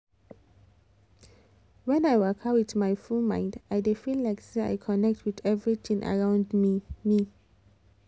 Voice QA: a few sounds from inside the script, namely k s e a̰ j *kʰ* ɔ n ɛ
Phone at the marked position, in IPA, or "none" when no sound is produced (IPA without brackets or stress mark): kʰ